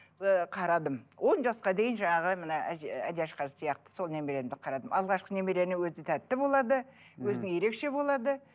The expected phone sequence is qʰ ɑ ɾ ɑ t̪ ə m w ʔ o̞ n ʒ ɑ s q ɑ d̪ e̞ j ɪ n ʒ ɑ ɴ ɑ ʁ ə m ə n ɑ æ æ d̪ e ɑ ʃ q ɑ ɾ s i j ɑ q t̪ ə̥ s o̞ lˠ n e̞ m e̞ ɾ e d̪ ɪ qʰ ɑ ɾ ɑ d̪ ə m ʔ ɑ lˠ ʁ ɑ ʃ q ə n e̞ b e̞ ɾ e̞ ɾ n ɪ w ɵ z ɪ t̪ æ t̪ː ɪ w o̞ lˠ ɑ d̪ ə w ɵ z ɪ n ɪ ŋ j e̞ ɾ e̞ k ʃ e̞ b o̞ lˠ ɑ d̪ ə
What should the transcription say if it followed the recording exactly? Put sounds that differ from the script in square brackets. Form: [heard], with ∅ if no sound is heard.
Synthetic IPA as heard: qʰ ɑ ɾ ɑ [d̪] ə m w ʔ o̞ n ʒ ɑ s q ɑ d̪ e̞ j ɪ n ʒ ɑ ɴ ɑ ʁ ə m ə n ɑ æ æ d̪ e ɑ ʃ q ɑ ɾ s i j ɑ q t̪ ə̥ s o̞ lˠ n e̞ m e̞ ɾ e d̪ ɪ qʰ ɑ ɾ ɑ d̪ ə m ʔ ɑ lˠ ʁ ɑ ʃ q ə n e̞ [m] e̞ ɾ e̞ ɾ n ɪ w ɵ z ɪ [t̪ʰ] æ t̪ː ɪ [b] o̞ lˠ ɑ d̪ ə w ɵ z ɪ n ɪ ŋ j e̞ ɾ e̞ k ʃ e̞ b o̞ lˠ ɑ d̪ ə